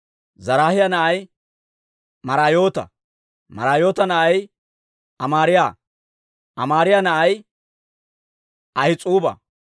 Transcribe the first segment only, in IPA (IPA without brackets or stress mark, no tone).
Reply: z